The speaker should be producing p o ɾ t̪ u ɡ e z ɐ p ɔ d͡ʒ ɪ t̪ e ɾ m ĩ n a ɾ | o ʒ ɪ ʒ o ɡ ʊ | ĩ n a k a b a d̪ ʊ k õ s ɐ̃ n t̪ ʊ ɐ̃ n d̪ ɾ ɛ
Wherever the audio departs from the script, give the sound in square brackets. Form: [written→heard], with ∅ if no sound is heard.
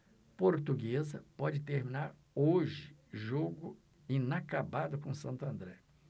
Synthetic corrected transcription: p o ɾ t̪ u ɡ e z ɐ p ɔ d͡ʒ ɪ t̪ e ɾ m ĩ n a ɾ | o ʒ ɪ ʒ o ɡ ʊ | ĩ n a k a b a d̪ ʊ k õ s ɐ̃ n t̪ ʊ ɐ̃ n d̪ ɾ ɛ